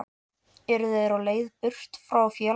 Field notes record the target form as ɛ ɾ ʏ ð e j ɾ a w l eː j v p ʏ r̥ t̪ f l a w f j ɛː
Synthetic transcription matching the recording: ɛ ɾ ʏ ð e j ɾ a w l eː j ð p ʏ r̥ t̪ f ɾ a w f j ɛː